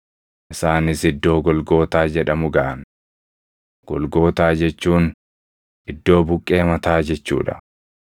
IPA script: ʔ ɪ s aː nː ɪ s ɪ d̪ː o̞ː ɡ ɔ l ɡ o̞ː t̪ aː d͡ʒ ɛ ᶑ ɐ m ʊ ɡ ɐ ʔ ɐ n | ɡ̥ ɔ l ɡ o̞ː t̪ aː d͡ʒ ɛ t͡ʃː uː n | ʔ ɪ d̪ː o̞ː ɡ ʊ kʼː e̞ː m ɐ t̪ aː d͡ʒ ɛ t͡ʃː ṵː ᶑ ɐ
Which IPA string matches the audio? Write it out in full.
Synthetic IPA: ʔ ɪ s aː n ɪ s ɪ d̪ː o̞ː ɡ ɔ l ɡ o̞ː t̪ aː d͡ʒ ɛ ᶑ ɐ m ʊ ɡ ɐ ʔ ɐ n | ɡ̥ ɔ l ɡ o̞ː t̪ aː d͡ʒ ɛ t͡ʃː uː n | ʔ ɪ d̪ː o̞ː b ʊ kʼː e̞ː m ɐ t̪ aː d͡ʒ ɛ t͡ʃː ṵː ᶑ ɐ